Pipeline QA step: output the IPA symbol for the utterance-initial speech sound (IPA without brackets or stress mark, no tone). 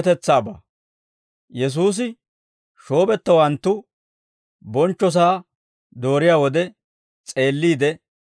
t̪